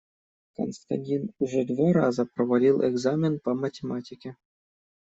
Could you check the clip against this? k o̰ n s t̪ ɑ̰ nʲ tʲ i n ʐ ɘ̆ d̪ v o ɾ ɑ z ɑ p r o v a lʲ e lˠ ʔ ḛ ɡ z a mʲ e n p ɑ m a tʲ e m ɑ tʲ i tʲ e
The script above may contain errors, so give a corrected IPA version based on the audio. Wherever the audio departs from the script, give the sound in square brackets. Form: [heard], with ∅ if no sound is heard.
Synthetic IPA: k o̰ n s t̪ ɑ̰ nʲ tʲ i n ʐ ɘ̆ d̪ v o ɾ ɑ z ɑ p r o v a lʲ [i] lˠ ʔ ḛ ɡ z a mʲ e n p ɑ m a tʲ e m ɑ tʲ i [kʲ] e